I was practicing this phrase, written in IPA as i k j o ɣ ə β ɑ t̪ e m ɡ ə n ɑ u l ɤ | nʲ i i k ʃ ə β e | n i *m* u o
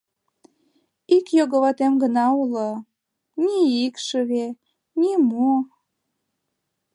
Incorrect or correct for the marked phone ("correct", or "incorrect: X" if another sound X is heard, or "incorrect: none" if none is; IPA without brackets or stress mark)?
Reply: correct